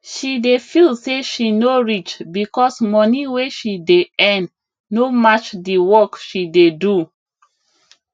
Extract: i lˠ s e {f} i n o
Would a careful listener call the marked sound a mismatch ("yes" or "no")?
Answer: yes